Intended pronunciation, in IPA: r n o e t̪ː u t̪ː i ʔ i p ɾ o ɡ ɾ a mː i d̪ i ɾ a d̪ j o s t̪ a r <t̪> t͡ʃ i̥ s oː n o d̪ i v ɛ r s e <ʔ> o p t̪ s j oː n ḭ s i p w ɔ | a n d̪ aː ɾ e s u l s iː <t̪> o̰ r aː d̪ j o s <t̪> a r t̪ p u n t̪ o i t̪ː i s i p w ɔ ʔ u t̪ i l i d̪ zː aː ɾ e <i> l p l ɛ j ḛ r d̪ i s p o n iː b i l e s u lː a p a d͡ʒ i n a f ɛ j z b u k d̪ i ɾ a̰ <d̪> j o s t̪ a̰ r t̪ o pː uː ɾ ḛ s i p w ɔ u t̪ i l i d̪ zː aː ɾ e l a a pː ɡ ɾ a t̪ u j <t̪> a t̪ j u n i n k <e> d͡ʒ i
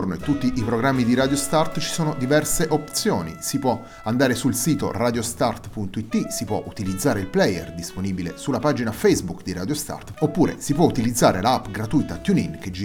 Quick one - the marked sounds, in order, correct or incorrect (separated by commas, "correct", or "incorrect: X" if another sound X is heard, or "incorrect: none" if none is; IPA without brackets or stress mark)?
correct, correct, correct, correct, correct, correct, correct, correct